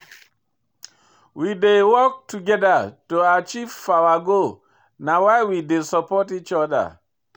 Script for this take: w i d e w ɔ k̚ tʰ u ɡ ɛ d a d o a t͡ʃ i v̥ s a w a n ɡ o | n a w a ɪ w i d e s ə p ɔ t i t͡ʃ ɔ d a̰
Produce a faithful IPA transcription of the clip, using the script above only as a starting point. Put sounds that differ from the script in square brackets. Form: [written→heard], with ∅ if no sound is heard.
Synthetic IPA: w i d e w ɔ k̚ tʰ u ɡ ɛ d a [d→t] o a t͡ʃ i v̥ [s→f] a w a [n→∅] ɡ o | n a w a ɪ w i d e s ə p ɔ t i t͡ʃ ɔ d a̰

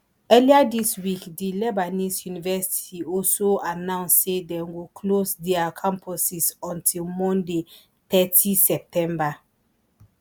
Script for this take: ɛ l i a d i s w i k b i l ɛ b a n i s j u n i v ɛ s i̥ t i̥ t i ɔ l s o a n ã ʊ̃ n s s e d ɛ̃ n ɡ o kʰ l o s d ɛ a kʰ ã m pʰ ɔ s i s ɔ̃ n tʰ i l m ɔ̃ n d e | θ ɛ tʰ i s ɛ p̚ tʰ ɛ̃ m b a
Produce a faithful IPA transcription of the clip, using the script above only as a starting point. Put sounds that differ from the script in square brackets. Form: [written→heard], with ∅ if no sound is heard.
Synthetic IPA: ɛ l i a d i s w i k [b→d] i l ɛ b a n i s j u n i v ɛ s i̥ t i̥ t i ɔ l s o a n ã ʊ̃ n s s e d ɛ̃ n ɡ o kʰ l o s d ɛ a kʰ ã m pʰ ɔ s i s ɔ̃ n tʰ i l m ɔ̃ n d e | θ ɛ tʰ i s ɛ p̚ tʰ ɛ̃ m b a

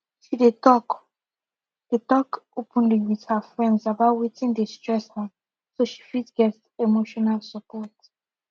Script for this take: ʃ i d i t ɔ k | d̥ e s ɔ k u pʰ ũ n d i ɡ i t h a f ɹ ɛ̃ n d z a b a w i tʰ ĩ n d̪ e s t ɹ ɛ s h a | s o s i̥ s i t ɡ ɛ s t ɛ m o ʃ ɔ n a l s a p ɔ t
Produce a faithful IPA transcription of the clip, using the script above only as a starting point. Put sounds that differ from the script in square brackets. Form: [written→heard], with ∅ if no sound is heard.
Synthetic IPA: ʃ i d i t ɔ k | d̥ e [s→t] ɔ k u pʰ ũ n d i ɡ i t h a f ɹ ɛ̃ n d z a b a w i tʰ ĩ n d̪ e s t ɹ ɛ s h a | s o [s→ʃ] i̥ [s→f] i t ɡ ɛ s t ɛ m o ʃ ɔ n a l s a p ɔ t

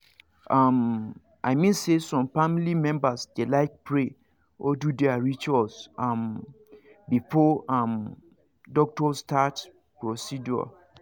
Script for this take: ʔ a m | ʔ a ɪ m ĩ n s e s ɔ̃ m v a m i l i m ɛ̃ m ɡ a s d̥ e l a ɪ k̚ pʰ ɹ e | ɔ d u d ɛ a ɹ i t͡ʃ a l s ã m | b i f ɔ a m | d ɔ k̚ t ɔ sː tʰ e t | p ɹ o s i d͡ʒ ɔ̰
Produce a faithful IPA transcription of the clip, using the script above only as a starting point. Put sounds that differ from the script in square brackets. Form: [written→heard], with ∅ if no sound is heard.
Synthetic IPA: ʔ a m | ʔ a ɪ m ĩ n s e s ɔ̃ m [v→f] a m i l i m ɛ̃ m [ɡ→b] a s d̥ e l a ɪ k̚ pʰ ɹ e | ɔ d u d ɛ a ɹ i t͡ʃ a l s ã m | b i f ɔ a m | d ɔ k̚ t ɔ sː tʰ [e→a] t | p ɹ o s i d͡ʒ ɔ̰

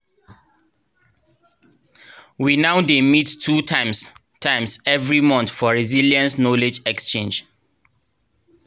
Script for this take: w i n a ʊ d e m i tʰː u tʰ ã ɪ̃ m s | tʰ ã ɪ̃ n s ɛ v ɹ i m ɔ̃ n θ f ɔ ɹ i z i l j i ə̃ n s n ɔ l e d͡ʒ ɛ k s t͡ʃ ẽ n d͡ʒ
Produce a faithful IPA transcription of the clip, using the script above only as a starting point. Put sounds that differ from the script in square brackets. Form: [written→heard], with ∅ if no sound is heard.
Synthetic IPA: w i n a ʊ d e m i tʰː u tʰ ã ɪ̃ m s | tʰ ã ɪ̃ [n→m] s ɛ v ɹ i m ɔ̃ n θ f ɔ ɹ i z i l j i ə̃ n s n ɔ l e d͡ʒ ɛ k s t͡ʃ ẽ n d͡ʒ

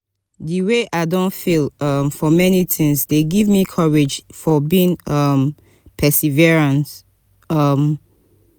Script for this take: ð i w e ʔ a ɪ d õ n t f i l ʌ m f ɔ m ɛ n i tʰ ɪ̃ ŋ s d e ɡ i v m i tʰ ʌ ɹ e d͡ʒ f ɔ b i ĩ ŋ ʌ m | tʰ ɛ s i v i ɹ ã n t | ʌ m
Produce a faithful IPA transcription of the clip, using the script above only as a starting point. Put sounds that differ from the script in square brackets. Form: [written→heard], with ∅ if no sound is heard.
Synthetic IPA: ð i w e ʔ a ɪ d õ n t f i l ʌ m f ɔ m ɛ n i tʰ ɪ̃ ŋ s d e ɡ i v m i [tʰ→kʰ] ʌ ɹ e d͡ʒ f ɔ b i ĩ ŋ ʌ m | [tʰ→pʰ] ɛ s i v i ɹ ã n t | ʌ m

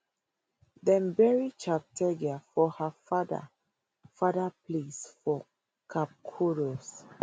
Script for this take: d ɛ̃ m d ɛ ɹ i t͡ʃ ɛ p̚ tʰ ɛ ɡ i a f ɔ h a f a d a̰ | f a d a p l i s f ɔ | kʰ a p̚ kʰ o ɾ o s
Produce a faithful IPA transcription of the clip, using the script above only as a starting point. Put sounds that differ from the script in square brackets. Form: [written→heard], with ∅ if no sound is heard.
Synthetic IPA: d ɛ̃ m [d→b] ɛ ɹ i t͡ʃ [ɛ→a] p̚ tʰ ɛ ɡ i a f ɔ h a f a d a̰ | f a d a p l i s f ɔ | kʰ a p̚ kʰ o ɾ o s

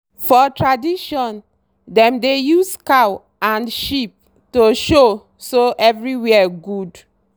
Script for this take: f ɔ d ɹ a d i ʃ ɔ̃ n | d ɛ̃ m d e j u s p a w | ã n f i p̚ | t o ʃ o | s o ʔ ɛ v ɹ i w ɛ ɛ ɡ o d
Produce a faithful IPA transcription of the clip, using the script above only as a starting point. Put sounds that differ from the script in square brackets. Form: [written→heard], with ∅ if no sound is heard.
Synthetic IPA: f ɔ [d→t] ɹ a d i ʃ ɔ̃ n | d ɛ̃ m d e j u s [p→k] a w | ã n [f→ʃ] i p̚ | t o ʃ o | s o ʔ ɛ v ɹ i w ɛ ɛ ɡ [o→u] d

